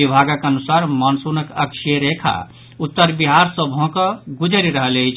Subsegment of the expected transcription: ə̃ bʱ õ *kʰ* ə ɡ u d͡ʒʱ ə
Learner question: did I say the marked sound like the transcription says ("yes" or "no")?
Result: no